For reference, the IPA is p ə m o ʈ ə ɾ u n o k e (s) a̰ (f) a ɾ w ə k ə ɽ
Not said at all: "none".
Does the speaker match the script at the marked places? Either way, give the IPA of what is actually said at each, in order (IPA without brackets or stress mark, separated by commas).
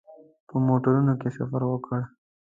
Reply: s, f